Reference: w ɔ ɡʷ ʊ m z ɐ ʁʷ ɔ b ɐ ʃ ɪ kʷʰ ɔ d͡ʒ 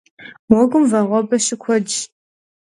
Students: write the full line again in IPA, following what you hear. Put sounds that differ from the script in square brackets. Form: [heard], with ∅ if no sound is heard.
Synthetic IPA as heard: w ɔ ɡʷ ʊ m [v] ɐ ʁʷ ɔ b ɐ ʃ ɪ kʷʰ ɔ d͡ʒ